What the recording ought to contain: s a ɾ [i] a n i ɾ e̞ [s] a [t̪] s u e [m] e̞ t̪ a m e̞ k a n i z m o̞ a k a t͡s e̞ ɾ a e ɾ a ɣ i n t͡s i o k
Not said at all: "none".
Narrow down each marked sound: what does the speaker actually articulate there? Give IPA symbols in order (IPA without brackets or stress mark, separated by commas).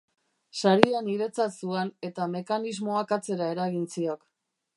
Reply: i, t͡s, t̪, n